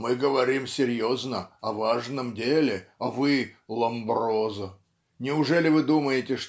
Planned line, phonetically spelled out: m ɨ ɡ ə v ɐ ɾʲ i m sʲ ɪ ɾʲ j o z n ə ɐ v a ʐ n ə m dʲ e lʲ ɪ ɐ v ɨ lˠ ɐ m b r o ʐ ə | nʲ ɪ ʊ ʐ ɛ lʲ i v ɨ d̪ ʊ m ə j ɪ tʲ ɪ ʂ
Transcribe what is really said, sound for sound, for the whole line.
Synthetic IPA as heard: m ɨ ɡ ə v ɐ ɾʲ i m sʲ ɪ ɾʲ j o z n ə ɐ v a ʐ n ə m dʲ e lʲ ɪ ɐ v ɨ lˠ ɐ m b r o z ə | nʲ ɪ ʊ ʐ ɛ lʲ ɪ v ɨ d̪ u m ə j ɪ tʲ ɪ ʂ